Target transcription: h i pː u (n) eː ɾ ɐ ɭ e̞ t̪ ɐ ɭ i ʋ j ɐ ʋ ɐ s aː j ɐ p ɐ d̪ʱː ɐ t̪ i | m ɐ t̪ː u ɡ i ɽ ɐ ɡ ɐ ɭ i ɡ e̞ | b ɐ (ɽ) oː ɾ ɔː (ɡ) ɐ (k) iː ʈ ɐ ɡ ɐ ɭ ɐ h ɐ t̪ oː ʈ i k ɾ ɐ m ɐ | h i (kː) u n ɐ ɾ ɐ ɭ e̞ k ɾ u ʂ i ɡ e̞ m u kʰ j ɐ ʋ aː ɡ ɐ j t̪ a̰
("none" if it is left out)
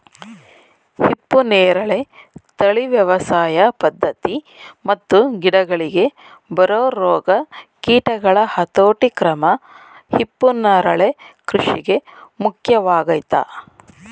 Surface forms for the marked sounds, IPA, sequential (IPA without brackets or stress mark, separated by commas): n, ɾ, ɡ, k, pː